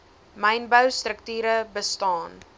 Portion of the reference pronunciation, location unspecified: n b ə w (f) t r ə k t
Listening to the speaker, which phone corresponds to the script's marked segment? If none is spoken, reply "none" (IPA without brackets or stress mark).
s